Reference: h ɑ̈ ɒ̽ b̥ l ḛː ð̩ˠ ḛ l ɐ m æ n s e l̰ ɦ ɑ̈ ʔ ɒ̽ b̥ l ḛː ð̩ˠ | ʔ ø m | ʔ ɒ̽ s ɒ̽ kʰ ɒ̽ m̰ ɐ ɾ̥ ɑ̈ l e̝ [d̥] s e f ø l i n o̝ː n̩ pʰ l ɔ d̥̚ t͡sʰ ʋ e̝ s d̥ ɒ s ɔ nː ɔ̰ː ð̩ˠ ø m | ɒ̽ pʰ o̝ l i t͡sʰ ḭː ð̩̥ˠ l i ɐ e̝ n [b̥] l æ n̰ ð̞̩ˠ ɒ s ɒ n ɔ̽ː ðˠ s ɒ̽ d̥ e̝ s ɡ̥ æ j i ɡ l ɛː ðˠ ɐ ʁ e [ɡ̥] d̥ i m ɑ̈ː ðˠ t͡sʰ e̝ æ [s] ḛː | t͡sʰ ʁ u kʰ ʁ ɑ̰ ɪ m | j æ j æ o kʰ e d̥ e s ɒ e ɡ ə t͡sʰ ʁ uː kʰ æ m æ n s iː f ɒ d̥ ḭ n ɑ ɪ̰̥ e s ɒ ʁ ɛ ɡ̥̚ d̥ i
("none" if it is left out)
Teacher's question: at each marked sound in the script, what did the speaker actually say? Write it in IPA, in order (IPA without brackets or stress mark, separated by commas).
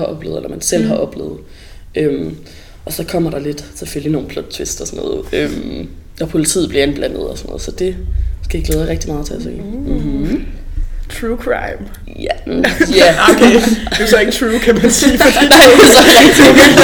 d̥, b̥, ɡ̥, s